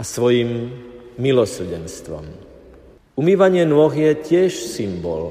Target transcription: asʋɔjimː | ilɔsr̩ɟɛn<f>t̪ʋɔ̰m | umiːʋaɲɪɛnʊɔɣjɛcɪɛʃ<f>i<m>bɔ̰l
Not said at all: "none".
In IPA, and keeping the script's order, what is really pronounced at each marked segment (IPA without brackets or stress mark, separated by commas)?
s, s, m